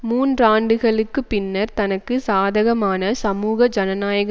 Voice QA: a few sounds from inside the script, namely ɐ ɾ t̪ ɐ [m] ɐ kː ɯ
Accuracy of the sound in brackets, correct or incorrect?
incorrect